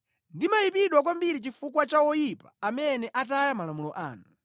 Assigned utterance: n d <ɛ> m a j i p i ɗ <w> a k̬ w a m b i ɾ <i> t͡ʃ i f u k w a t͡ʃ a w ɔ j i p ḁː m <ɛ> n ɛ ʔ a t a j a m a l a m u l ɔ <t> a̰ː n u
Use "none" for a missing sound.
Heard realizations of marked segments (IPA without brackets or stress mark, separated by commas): i, w, i, ɛ, ʔ